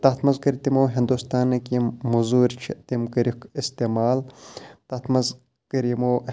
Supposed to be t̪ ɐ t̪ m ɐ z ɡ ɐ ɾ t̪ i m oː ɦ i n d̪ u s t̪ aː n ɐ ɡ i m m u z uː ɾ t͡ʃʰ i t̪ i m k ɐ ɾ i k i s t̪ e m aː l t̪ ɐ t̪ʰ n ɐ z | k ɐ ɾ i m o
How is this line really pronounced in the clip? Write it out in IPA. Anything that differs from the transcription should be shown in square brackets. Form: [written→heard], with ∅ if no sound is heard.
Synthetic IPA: t̪ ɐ t̪ m ɐ z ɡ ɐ ɾ t̪ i m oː ɦ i n d̪ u s t̪ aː n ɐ [ɡ→k] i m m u z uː ɾ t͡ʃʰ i t̪ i m k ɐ ɾ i k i s t̪ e m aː l t̪ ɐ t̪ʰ [n→m] ɐ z | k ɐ ɾ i m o

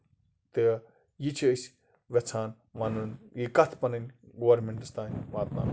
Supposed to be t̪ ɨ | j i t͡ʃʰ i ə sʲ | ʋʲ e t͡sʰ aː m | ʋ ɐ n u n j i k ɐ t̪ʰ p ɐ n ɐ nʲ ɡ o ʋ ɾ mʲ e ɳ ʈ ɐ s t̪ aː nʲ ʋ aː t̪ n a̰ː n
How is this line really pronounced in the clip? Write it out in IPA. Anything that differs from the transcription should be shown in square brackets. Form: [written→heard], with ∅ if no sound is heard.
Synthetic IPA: t̪ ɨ | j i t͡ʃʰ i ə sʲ | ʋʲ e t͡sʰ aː [m→n] | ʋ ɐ n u n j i k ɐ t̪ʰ p ɐ n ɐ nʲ ɡ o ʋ ɾ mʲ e ɳ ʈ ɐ s t̪ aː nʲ ʋ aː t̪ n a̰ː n

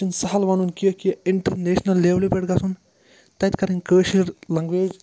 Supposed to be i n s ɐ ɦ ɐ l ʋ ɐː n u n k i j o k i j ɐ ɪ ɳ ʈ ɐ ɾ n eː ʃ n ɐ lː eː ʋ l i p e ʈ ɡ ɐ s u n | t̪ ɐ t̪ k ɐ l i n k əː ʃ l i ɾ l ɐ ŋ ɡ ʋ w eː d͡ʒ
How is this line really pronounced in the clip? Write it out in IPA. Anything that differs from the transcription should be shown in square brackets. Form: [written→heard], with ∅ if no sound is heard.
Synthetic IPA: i n s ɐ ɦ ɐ l ʋ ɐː n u n k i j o k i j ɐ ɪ ɳ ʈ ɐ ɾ n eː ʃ n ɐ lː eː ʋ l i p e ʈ ɡ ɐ s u n | t̪ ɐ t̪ k ɐ [l→ɾ] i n k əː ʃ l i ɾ l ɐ ŋ ɡ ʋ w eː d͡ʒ

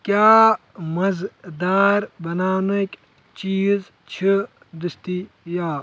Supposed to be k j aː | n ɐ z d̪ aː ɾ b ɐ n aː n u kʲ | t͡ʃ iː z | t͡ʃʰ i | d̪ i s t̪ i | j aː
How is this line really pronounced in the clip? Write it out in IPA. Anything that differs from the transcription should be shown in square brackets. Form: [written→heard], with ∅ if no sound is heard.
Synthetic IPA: k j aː | [n→m] ɐ z d̪ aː ɾ b ɐ n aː n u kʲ | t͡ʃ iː z | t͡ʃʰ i | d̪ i s t̪ i | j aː

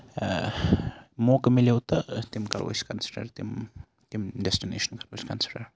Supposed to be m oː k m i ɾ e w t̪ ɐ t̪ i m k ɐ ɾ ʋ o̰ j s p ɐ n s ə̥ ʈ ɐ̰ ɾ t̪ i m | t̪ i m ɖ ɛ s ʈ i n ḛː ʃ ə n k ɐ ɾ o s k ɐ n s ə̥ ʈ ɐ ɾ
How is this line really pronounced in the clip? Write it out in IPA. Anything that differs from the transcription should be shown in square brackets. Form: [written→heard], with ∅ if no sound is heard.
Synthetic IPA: m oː k m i [ɾ→l] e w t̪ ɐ t̪ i m k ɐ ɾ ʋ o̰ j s [p→k] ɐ n s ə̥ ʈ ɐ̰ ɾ t̪ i m | t̪ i m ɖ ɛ s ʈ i n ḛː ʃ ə n k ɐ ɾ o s k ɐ n s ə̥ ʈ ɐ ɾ

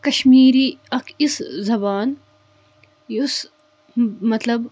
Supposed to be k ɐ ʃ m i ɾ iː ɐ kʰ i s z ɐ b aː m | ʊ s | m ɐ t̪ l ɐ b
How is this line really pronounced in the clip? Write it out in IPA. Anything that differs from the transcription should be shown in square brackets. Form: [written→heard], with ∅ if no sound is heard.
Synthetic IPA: k ɐ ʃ m [i→iː] ɾ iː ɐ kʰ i s z ɐ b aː [m→n] | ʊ s | m ɐ t̪ l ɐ b

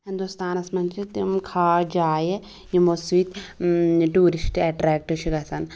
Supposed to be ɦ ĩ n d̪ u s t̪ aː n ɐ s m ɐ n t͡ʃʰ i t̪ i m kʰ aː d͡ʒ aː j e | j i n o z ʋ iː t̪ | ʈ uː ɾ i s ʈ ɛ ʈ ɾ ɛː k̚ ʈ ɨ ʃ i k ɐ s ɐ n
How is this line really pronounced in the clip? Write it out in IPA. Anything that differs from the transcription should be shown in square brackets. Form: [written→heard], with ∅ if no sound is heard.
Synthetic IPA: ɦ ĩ n d̪ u s t̪ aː n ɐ s m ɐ n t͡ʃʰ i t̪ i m kʰ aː d͡ʒ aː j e | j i [n→m] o [z→s] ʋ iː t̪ | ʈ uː ɾ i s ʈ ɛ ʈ ɾ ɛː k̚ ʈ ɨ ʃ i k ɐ s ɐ n

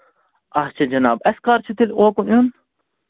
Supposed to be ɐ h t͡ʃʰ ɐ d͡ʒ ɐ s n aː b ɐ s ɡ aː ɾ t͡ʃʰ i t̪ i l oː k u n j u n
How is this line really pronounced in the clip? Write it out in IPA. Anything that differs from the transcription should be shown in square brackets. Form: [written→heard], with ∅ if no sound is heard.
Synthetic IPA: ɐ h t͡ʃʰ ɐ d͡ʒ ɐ [s→∅] n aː b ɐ s [ɡ→k] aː ɾ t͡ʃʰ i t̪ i l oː k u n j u n

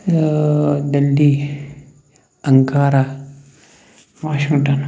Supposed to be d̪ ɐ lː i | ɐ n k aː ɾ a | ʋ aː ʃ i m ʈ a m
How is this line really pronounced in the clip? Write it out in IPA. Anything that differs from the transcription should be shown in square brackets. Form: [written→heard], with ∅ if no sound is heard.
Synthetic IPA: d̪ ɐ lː i | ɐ [n→ŋ] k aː ɾ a | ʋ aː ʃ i [m→ŋ] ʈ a [m→n]

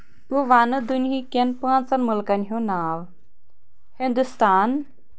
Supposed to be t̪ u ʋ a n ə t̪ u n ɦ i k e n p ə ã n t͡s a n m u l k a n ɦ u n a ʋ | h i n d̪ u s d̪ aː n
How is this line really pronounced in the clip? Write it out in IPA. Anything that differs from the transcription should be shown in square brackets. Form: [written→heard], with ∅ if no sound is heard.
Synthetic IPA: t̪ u ʋ a n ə [t̪→d̪] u n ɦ i k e n p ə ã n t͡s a n m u l k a n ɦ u n a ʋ | h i n d̪ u s [d̪→t̪] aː n

